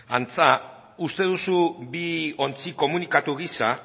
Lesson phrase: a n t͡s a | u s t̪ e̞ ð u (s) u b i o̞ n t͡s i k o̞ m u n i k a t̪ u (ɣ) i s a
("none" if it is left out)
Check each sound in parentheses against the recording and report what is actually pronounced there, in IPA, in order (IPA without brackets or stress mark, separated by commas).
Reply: s, ɣ